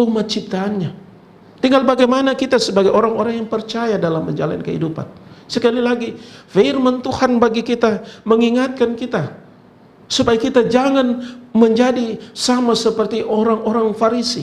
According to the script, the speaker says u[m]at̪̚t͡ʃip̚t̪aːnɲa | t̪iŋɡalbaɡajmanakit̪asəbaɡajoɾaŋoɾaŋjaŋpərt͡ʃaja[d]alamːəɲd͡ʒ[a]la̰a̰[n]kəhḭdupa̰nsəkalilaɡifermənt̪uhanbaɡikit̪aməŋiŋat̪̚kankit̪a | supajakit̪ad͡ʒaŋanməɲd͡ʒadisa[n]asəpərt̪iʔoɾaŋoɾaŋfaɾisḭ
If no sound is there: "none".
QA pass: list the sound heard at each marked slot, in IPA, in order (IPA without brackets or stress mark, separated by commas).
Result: m, d, a, n, m